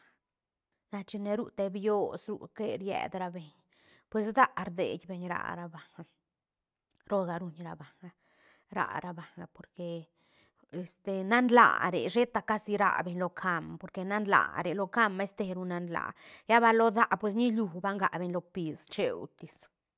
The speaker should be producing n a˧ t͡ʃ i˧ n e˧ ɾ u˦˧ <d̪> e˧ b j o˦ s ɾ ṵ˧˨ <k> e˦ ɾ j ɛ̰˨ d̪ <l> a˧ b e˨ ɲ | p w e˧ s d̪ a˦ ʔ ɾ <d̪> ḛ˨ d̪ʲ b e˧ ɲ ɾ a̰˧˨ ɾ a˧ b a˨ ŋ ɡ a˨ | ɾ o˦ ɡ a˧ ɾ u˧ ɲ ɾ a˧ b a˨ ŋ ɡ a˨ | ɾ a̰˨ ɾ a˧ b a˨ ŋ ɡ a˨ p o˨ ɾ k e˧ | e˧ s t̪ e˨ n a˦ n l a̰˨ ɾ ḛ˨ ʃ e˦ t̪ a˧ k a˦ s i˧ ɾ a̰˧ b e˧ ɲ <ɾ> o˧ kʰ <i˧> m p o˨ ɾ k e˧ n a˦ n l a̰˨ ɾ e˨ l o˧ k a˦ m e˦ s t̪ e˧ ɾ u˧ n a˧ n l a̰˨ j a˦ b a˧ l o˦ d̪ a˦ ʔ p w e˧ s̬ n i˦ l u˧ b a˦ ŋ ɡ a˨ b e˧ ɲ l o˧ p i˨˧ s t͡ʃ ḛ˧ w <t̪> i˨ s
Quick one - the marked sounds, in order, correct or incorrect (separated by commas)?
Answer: incorrect, correct, incorrect, correct, incorrect, incorrect, correct